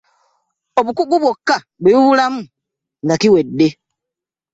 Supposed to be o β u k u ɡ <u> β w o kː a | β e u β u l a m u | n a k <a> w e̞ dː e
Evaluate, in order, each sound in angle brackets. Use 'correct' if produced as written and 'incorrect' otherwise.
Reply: correct, incorrect: i

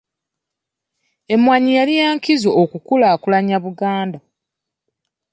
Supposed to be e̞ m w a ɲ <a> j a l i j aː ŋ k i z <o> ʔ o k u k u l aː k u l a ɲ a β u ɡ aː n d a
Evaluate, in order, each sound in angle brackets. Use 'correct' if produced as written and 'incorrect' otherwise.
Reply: incorrect: i, correct

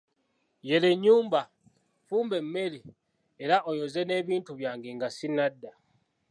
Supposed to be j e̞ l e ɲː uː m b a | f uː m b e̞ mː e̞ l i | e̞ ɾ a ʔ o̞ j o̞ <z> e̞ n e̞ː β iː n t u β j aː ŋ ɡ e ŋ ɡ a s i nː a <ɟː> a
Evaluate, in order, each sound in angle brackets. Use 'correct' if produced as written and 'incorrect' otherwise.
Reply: correct, incorrect: dː

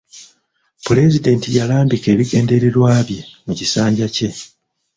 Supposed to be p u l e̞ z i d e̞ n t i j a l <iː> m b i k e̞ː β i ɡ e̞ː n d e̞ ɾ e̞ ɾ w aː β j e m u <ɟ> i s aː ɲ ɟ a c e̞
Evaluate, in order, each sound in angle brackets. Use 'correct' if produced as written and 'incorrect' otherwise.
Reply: incorrect: aː, incorrect: c

